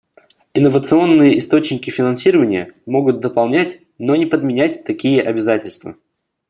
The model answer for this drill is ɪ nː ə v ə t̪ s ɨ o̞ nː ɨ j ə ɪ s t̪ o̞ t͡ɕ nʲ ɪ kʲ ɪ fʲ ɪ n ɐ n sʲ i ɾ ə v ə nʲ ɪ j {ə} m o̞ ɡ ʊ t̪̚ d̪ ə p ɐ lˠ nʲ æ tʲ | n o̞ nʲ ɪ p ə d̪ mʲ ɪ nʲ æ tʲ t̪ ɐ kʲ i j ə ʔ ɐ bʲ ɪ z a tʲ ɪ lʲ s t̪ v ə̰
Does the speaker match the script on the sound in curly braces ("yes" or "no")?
yes